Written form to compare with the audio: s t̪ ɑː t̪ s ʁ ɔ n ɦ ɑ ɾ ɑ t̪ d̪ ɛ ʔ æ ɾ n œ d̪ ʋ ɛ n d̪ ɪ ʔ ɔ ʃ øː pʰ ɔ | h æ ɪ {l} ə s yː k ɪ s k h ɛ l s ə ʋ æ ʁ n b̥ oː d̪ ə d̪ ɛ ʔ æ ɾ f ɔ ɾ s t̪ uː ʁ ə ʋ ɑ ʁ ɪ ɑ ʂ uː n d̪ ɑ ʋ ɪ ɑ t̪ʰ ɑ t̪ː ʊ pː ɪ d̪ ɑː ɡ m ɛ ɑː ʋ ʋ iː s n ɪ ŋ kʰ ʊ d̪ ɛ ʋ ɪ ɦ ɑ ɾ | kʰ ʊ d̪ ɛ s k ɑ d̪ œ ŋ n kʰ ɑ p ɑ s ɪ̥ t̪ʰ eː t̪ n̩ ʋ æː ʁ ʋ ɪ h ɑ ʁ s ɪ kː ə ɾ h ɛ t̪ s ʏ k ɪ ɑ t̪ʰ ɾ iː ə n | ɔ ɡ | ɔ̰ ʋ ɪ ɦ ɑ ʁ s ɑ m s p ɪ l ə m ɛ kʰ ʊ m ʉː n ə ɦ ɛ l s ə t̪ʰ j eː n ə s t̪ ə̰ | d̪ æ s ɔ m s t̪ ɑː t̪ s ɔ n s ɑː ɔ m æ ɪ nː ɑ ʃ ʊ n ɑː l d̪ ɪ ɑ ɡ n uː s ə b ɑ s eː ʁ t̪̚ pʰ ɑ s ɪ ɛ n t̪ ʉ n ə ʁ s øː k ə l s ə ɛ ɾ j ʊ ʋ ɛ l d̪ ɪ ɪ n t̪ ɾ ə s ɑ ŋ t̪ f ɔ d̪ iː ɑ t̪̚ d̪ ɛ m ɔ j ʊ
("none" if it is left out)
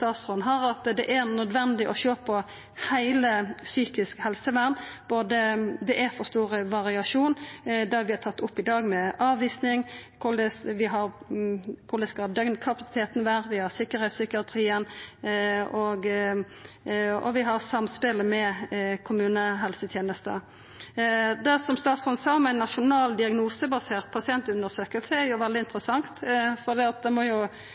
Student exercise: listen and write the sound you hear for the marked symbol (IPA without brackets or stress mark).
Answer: l